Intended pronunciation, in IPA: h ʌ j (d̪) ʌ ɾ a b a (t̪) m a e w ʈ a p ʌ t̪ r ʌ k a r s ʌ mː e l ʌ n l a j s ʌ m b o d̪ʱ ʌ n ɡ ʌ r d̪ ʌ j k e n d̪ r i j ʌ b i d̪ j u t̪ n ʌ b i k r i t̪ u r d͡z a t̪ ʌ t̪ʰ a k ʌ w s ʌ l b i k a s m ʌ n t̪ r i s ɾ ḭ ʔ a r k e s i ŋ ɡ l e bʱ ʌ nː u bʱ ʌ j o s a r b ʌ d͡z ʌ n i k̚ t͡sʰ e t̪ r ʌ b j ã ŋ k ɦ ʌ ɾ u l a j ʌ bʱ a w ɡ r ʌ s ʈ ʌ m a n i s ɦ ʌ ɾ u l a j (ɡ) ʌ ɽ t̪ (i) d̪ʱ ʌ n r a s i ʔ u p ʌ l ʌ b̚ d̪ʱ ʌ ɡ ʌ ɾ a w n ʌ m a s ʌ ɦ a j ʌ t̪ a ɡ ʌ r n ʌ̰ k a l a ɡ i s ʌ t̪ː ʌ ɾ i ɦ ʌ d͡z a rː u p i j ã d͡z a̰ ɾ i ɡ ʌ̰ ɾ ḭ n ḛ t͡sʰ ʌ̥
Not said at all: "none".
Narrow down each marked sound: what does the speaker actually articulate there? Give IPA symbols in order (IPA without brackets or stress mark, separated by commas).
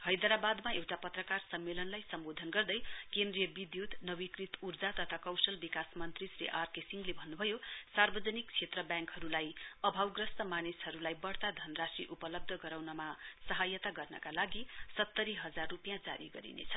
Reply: d̪, d̪, b, a